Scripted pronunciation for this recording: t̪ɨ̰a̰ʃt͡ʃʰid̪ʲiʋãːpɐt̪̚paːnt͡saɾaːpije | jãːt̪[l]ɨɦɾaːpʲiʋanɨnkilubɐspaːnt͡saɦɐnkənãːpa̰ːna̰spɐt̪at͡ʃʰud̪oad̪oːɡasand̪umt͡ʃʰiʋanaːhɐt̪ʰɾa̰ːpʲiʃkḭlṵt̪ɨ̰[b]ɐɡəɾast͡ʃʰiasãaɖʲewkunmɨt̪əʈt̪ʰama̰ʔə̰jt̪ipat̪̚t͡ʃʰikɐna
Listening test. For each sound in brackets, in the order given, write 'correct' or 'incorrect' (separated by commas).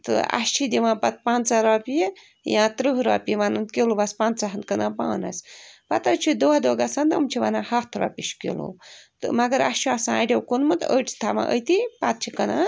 incorrect, incorrect